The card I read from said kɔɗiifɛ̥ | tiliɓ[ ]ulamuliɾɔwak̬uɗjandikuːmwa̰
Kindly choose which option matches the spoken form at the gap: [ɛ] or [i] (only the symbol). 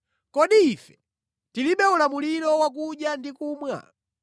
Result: ɛ